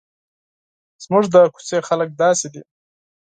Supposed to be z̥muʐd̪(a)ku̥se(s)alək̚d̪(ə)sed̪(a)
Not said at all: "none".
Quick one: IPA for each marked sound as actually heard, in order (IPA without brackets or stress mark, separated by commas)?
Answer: ə, x, ɑ, i